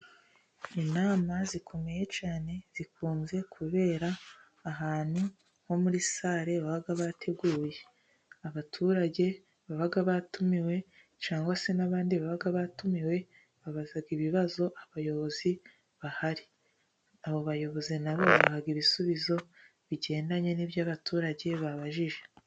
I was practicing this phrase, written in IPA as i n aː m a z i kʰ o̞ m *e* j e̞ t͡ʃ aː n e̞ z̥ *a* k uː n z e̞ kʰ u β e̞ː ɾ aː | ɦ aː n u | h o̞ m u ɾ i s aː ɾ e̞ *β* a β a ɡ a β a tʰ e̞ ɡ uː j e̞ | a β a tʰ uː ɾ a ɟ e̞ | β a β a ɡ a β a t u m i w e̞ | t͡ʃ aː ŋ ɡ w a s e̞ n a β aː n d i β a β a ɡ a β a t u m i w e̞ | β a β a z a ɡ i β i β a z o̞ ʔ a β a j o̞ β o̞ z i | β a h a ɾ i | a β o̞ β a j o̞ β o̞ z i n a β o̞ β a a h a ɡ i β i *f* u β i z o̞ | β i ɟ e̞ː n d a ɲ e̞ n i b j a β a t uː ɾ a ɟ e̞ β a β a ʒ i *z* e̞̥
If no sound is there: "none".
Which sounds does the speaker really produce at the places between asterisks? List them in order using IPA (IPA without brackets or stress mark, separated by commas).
e, i, β, s, ʒ